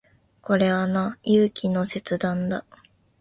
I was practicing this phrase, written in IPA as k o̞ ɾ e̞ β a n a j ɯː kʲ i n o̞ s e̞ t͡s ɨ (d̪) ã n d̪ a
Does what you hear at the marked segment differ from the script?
no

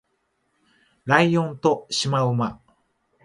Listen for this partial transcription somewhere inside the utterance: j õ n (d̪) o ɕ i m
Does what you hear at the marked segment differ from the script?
yes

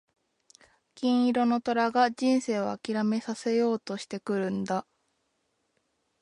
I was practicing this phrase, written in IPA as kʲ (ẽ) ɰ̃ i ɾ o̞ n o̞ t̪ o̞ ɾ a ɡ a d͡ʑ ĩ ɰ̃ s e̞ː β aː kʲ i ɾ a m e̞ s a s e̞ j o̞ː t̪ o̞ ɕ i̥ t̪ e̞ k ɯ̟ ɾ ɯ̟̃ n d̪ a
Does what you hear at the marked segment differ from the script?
yes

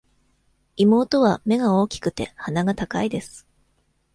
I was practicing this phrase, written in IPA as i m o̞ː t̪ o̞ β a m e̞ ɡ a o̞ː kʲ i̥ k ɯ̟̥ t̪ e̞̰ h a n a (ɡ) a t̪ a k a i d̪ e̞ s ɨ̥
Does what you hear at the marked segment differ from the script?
no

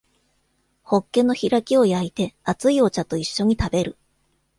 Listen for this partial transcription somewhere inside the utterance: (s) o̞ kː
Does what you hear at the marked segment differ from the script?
yes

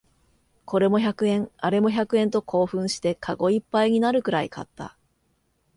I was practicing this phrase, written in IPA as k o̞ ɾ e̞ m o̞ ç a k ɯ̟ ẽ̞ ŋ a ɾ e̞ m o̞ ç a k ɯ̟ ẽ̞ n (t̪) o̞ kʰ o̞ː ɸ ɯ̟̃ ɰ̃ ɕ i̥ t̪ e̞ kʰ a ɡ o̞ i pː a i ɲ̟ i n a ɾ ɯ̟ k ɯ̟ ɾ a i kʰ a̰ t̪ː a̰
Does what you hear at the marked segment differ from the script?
no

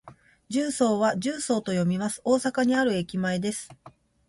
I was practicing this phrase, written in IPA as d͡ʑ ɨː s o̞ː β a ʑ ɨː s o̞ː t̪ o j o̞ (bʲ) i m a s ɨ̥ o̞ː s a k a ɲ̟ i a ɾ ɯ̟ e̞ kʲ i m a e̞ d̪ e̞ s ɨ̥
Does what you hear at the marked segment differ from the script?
yes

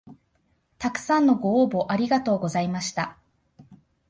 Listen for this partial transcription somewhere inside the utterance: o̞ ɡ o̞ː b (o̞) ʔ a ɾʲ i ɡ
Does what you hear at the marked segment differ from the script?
no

